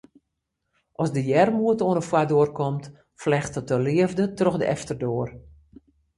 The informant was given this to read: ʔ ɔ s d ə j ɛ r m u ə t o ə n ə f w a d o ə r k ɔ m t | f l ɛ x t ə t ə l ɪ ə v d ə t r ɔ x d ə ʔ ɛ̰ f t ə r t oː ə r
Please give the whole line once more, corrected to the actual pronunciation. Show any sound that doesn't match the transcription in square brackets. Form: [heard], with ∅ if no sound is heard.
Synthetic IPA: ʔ ɔ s d ə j ɛ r m u ə t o ə n ə f w a d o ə r k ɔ m t | f l ɛ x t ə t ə l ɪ ə v d ə t r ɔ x d ə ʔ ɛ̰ f t ə r [d] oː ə r